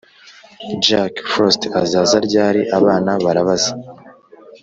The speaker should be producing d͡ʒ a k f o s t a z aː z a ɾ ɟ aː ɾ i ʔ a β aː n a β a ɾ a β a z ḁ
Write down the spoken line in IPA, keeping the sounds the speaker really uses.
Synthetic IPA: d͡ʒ a k f o s t a z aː z a ɾ ɟ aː ɾ i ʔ a β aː n a β a ɾ a β a z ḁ